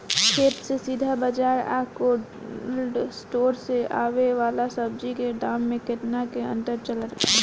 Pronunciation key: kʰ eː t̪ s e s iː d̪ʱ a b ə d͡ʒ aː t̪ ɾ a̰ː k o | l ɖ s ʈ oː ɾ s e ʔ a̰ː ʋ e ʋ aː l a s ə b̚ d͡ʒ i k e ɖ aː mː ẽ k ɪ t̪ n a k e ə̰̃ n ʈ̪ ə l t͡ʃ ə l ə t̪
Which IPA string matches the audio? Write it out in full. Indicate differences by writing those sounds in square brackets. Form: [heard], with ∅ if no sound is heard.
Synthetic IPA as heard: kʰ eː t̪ s e s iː d̪ʱ a b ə d͡ʒ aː [∅] ɾ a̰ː k o | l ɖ s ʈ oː ɾ s e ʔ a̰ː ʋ e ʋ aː l a s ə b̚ d͡ʒ i k e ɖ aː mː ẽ k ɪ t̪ n a k e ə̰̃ n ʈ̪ ə [ɾ] t͡ʃ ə l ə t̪